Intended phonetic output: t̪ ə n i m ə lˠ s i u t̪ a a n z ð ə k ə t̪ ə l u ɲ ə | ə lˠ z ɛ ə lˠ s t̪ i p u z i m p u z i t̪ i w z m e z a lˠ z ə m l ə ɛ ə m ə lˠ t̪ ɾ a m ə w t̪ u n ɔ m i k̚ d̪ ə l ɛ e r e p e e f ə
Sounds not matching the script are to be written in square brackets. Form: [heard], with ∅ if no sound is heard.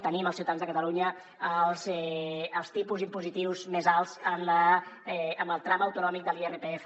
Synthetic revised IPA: t̪ ə n i m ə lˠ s i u t̪ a a n z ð ə k ə t̪ ə l u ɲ ə | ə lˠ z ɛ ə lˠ s t̪ i p u z i m p u z i t̪ i w z m e z a lˠ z ə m l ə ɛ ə m ə lˠ t̪ ɾ a m ə w t̪ u n ɔ m i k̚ d̪ ə l [i] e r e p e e f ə